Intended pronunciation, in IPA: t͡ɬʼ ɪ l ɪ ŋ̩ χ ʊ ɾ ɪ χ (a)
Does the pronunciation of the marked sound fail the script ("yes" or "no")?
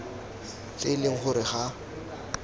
no